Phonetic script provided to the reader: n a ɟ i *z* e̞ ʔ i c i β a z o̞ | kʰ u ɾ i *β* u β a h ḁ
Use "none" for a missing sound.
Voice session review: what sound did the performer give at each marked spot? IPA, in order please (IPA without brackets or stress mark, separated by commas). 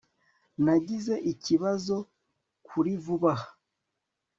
z, v